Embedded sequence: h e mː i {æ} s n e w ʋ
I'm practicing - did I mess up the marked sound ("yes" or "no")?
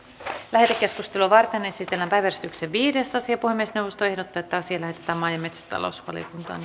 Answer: yes